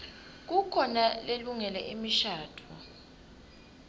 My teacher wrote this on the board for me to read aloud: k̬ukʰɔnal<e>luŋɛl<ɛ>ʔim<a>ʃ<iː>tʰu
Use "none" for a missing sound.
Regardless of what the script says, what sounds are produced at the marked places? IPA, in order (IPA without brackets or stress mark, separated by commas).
e, ɛ, i, aː